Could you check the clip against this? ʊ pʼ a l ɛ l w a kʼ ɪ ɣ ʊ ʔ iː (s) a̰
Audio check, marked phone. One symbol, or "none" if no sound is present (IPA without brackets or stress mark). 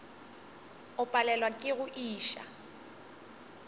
ʃ